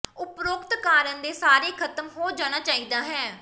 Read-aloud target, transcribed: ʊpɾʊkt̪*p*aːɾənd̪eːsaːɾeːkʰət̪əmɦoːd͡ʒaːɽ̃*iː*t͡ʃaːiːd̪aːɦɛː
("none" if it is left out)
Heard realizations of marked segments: k, aː

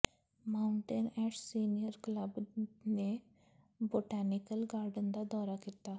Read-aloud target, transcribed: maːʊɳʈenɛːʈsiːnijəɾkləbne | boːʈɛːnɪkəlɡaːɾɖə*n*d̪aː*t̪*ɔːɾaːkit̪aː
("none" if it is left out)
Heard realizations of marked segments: n, d̪

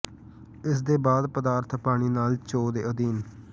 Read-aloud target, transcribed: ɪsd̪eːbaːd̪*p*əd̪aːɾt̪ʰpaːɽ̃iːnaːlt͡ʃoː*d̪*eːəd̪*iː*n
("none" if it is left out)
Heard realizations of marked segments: p, d̪, iː

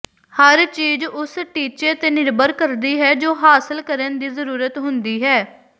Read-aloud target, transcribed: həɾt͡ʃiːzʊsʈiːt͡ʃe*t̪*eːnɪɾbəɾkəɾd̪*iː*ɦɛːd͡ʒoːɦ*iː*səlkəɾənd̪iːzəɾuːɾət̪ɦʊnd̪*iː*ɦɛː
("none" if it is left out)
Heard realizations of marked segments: t̪, iː, aː, iː

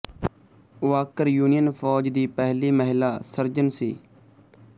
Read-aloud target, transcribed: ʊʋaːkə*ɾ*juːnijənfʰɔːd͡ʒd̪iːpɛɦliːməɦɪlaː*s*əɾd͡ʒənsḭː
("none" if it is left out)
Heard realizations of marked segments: ɾ, s

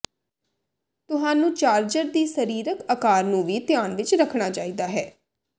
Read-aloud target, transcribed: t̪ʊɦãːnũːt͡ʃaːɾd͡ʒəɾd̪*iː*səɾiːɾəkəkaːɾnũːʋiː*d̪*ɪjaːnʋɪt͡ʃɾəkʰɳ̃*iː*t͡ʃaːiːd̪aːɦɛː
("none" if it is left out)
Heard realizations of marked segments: iː, t̪, aː

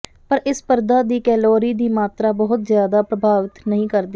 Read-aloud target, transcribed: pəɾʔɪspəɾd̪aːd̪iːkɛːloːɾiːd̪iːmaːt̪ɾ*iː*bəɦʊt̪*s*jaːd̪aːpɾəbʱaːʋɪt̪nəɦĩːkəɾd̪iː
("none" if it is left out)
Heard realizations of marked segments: aː, z

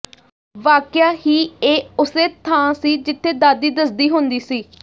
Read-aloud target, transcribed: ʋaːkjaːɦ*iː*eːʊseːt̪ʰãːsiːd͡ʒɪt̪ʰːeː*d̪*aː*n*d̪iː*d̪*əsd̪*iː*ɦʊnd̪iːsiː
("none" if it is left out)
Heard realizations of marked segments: iː, d̪, none, d̪, iː

